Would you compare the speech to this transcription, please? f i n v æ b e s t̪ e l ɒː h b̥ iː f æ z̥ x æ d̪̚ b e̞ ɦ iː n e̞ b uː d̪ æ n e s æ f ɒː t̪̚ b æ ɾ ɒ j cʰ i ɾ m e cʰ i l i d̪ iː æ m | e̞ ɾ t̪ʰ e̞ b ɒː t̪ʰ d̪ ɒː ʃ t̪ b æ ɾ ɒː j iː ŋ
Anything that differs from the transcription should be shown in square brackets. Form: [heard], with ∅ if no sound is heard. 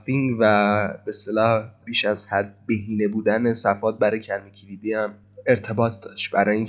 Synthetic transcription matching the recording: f i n v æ b e s t̪ e l ɒː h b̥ iː [ʃ] æ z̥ [h] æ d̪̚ b e̞ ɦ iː n e̞ b uː d̪ æ n e s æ f ɒː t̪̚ b æ ɾ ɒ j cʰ [æ] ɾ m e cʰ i l i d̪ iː æ m | e̞ ɾ t̪ʰ e̞ b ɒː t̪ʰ d̪ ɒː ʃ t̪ b æ ɾ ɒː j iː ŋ